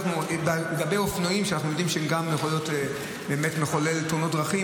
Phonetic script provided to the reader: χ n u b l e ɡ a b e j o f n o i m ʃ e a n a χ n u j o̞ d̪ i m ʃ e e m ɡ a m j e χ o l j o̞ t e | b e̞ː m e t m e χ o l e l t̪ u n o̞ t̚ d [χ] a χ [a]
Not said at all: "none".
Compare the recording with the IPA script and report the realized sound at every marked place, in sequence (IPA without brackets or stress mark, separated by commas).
ʁ, i